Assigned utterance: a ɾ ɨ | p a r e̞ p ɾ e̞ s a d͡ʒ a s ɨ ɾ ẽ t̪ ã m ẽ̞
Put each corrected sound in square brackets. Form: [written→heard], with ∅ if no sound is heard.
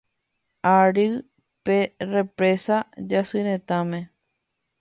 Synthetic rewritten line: a ɾ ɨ | p [a→e] r e̞ p ɾ e̞ s a d͡ʒ a s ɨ ɾ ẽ t̪ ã m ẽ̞